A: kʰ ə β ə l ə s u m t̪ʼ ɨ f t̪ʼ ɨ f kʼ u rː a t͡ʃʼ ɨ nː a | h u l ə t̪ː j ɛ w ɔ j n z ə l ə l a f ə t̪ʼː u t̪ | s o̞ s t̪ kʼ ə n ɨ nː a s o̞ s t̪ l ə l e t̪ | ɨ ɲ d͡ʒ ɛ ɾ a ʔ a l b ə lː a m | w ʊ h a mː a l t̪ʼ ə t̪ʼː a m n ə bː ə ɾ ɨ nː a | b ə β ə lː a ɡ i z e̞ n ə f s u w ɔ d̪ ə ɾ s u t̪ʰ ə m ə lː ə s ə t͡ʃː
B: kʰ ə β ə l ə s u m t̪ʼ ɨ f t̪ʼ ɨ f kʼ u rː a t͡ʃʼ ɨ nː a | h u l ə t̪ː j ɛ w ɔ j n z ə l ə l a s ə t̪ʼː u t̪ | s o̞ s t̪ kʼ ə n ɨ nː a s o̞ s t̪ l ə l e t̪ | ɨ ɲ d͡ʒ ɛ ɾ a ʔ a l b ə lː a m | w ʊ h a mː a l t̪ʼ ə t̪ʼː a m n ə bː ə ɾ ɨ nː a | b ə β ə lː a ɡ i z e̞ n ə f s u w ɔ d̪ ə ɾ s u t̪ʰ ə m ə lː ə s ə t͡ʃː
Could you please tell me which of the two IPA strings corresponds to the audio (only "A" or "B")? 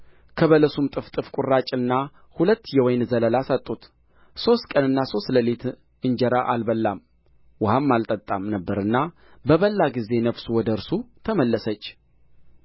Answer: B